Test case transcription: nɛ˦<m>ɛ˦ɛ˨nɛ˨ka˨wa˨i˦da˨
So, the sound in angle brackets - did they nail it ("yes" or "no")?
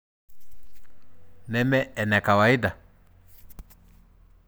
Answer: yes